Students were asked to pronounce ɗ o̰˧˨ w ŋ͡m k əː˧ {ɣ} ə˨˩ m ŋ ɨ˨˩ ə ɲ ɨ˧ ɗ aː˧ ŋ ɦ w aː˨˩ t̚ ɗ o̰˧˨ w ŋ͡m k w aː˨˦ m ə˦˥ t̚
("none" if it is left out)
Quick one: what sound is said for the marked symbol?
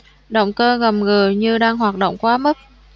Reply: ɣ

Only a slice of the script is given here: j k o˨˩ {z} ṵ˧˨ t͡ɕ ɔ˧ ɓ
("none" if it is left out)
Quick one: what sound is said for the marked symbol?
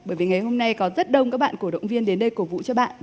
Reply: v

